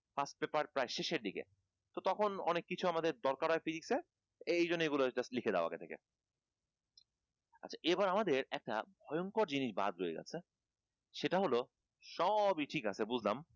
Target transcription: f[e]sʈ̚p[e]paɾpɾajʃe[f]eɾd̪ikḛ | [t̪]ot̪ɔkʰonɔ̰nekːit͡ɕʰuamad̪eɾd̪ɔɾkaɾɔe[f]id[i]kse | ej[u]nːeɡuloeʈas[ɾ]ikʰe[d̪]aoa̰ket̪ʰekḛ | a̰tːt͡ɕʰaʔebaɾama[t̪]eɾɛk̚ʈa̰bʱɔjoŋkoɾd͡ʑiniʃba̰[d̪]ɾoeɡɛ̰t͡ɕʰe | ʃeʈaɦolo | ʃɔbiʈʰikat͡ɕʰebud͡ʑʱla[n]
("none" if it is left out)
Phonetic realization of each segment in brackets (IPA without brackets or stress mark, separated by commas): a, e, ʃ, t̪, f, i, o, l, d̪, d̪, d̪, m